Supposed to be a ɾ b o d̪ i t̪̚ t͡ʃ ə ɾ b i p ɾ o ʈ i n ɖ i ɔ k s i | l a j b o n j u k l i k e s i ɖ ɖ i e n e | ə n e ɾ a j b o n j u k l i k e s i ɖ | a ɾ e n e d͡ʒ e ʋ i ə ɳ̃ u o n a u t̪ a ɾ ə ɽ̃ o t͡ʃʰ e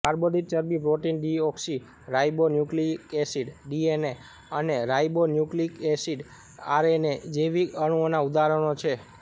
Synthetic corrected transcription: a ɾ b o d̪ i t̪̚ t͡ʃ ə ɾ b i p ɾ o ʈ i n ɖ i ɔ k s i | ɾ a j b o n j u k l i k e s i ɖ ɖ i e n e | ə n e ɾ a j b o n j u k l i k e s i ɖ | a ɾ e n e d͡ʒ e ʋ i ə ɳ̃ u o n a u d̪ a ɾ ə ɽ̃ o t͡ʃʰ e

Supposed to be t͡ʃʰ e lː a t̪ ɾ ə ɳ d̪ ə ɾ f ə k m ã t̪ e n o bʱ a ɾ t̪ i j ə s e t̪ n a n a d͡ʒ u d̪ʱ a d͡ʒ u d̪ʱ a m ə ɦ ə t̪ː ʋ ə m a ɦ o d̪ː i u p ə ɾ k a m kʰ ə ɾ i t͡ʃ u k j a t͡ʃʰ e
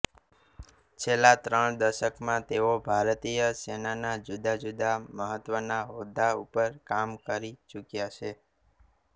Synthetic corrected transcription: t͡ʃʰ e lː a t̪ ɾ ə ɳ d̪ ə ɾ ʃ ə k m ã t̪ e o bʱ a ɾ t̪ i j ə s e n a n a d͡ʒ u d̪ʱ a d͡ʒ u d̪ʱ a m ə ɦ ə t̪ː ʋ ə n a ɦ o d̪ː a u p ə ɾ k a m k ə ɾ i t͡ʃ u k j a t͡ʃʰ e

